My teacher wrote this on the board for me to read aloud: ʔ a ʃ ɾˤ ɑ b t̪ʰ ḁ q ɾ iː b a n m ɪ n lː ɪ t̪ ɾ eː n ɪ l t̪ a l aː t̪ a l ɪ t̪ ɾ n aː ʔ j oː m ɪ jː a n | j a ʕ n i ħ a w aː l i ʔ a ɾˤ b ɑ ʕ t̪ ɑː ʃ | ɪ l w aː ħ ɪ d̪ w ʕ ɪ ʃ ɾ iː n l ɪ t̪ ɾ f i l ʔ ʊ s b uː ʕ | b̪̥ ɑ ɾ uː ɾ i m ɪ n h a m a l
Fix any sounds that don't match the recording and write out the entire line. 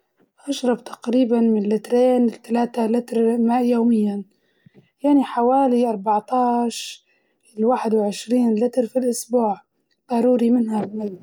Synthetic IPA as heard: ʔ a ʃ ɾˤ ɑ b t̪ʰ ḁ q ɾ iː b a n m ɪ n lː ɪ t̪ ɾ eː n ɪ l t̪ a l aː t̪ a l ɪ t̪ ɾ m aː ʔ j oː m ɪ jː a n | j a ʕ n i ħ a w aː l i ʔ ɑ ɾˤ b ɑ ʕ t̪ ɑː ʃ | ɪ l w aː ħ ɪ d̪ w ʕ ɪ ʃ ɾ iː n l ɪ t̪ ɾ f i l ʔ ʊ s b uː ʕ | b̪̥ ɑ ɾ uː ɾ i m ɪ n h a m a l